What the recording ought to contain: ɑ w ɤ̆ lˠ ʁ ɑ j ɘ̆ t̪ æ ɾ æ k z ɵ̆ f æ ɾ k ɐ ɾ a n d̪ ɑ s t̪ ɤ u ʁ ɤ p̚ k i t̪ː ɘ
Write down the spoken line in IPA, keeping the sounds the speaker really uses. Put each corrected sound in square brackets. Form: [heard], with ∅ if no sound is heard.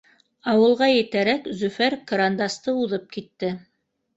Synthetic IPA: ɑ w ɤ̆ lˠ ʁ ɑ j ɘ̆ t̪ æ ɾ æ k z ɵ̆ f æ ɾ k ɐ ɾ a n d̪ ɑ s t̪ ɤ u [ð] ɤ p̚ k i t̪ː ɘ